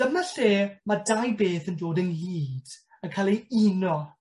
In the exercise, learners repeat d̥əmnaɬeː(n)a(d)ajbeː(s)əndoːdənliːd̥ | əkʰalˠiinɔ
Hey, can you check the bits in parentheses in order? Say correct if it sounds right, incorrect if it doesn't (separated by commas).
incorrect, correct, incorrect